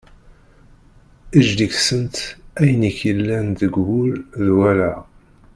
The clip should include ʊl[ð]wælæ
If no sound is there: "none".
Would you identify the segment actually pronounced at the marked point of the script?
ð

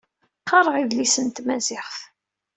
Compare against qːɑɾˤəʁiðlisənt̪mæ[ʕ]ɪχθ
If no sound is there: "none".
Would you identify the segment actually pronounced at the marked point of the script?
z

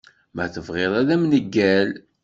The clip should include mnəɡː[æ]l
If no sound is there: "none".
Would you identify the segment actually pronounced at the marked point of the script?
æ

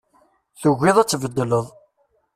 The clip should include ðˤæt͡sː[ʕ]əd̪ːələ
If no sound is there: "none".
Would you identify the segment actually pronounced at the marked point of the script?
v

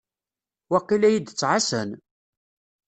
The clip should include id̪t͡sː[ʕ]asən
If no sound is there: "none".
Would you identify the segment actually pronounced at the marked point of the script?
ʕ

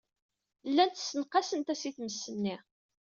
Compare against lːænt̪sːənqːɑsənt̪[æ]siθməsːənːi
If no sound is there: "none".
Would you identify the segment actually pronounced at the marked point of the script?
æ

